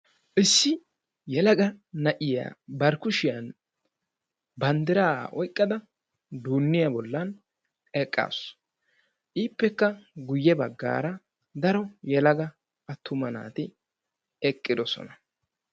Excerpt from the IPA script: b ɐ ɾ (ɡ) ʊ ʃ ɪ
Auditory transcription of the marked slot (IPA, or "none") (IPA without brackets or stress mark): k